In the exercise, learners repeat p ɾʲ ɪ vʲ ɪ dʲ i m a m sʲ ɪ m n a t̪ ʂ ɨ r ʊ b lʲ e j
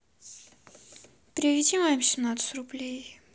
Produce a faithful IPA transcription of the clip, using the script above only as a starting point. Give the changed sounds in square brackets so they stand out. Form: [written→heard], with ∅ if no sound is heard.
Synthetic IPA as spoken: p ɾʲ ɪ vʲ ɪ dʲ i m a m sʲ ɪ m n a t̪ [ʂ→s] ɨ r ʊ b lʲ e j